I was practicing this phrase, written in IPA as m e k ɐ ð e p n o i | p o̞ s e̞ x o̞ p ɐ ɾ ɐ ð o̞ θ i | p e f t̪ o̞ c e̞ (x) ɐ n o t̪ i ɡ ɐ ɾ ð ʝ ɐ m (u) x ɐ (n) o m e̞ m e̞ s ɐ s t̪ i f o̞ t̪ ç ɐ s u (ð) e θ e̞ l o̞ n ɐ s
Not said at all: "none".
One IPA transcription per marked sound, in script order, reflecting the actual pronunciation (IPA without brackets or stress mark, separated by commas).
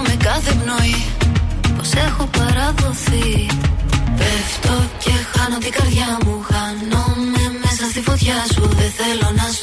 x, u, n, ð